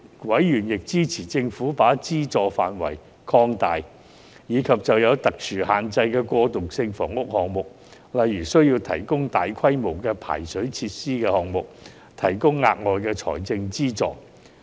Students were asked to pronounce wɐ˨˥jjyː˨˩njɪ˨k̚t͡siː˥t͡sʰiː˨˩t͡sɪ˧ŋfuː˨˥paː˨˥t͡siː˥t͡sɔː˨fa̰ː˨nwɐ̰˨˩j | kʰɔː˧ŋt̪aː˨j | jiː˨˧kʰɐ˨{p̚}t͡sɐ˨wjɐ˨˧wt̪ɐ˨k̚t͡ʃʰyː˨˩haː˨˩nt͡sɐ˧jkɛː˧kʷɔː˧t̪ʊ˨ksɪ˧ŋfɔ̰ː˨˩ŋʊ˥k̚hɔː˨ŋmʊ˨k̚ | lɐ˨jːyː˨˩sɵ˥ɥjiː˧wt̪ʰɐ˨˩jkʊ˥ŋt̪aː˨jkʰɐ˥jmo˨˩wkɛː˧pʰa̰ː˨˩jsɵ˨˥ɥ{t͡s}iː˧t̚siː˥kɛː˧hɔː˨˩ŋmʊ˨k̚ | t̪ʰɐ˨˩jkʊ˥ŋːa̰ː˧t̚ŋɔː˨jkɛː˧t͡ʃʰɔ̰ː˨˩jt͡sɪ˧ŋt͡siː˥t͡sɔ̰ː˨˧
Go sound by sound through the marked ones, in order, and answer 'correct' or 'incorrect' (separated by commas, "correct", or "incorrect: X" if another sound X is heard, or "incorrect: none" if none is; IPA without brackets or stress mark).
correct, incorrect: t͡sʰ